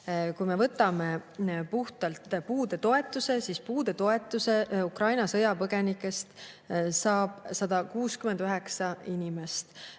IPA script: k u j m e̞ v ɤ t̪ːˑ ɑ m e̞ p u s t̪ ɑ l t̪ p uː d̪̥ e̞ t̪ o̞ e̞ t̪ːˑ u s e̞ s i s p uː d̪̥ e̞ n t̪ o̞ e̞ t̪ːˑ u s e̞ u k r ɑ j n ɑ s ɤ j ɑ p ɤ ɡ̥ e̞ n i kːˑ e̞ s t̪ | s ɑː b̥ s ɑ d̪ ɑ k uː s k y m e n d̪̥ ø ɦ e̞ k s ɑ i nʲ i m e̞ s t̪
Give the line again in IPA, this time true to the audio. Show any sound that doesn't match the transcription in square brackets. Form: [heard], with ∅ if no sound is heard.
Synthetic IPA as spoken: k u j m e̞ v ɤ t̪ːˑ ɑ m e̞ p u [h] t̪ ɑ l t̪ p uː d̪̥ e̞ t̪ o̞ e̞ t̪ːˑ u s e̞ s i s p uː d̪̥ e̞ [∅] t̪ o̞ e̞ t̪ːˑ u s e̞ u k r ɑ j n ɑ s ɤ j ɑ p ɤ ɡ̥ e̞ n i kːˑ e̞ s t̪ | s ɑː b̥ s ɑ d̪ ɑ k uː s k y m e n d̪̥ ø ɦ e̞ k s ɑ i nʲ i m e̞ s t̪